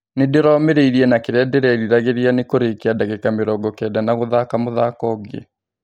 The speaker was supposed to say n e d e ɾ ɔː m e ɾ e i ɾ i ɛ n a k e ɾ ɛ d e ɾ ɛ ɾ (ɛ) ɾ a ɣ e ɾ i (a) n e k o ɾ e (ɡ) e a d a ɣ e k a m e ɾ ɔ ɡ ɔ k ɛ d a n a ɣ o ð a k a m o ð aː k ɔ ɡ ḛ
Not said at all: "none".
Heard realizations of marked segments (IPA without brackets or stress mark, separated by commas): i, a, k